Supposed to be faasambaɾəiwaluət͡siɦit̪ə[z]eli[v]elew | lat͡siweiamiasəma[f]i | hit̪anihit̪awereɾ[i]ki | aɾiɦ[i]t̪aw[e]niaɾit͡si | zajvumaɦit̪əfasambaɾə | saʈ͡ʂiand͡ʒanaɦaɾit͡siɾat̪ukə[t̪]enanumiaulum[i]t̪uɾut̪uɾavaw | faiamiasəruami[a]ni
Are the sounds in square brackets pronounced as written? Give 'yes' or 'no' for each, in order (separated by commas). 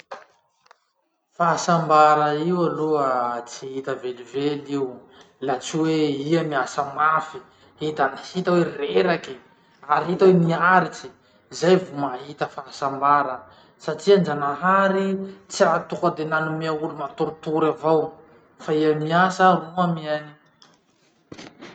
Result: no, yes, yes, no, yes, yes, no, no, yes